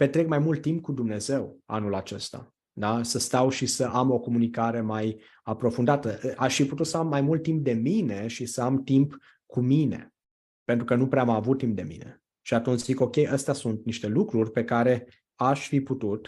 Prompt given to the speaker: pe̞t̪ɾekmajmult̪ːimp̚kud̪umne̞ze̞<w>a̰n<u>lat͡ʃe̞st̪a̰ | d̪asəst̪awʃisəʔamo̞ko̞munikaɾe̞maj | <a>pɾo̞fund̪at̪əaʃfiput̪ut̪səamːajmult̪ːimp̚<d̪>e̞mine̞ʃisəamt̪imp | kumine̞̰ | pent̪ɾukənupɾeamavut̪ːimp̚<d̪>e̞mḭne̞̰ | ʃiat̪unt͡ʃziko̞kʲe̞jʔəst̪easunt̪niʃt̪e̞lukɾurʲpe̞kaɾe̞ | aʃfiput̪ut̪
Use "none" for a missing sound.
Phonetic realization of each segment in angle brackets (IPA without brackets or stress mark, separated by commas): w, u, a, d̪, d̪